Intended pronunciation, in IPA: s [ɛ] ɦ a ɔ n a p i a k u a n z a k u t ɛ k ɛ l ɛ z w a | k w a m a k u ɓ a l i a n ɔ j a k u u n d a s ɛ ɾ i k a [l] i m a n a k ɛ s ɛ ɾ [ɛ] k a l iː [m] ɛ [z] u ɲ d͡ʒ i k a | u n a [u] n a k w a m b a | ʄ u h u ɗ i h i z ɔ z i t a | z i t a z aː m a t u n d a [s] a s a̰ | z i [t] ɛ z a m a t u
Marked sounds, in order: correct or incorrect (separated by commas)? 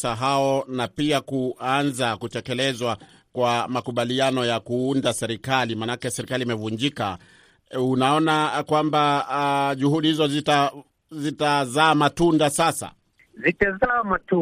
incorrect, correct, incorrect, correct, incorrect, incorrect, correct, correct